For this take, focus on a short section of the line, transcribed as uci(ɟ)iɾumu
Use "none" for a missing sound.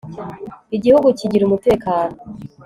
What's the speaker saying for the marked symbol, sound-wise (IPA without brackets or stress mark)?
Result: ɟ